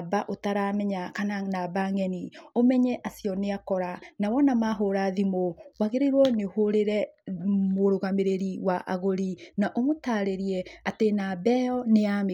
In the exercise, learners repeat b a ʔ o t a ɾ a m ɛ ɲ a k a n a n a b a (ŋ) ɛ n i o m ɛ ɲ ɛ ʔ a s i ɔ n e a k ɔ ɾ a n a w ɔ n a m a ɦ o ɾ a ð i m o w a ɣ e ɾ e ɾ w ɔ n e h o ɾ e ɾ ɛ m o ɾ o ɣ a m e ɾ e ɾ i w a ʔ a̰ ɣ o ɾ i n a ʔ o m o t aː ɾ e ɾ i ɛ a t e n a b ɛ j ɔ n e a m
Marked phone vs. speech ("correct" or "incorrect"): correct